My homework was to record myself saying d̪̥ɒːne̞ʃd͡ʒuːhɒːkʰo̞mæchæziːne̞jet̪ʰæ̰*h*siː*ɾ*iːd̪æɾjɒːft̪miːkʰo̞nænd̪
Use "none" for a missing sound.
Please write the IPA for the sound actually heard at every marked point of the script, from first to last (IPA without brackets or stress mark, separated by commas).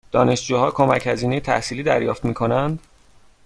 h, l